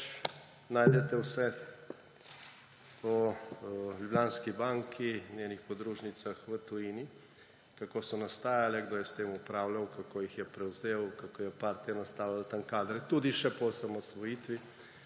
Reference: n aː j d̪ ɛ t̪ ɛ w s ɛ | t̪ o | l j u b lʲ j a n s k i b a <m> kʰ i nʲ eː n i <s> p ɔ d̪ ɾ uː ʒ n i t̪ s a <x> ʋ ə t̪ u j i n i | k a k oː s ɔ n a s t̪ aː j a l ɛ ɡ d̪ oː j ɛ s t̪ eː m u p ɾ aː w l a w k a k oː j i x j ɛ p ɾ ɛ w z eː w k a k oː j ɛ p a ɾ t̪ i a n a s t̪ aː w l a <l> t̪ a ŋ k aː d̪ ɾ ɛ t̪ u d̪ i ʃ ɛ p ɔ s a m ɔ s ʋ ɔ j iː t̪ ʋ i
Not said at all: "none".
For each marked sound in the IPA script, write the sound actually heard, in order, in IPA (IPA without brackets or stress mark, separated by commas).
ŋ, x, x, l